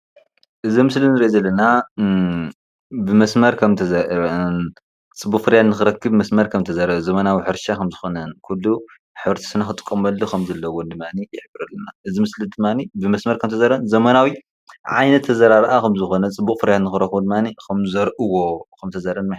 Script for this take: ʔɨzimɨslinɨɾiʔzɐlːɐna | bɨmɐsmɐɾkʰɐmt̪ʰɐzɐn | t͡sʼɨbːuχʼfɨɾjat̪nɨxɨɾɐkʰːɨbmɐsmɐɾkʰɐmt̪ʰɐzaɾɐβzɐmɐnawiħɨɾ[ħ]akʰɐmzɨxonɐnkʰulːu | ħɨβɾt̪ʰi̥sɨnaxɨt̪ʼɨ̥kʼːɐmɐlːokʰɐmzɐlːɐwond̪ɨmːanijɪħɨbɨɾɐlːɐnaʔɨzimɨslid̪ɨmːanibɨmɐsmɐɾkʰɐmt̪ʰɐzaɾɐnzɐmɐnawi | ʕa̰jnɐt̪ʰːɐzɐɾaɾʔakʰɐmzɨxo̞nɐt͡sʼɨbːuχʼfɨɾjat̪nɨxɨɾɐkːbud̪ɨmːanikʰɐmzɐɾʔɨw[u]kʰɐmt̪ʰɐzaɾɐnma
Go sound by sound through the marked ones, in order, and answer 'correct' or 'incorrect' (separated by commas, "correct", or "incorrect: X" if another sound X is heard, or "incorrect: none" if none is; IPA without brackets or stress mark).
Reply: incorrect: ʃ, incorrect: o